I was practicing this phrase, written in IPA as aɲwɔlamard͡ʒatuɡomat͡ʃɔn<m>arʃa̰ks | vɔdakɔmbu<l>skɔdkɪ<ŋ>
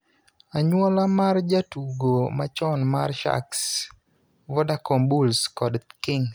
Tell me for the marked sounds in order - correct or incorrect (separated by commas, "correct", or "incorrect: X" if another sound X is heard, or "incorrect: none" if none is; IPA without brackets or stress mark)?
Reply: correct, correct, correct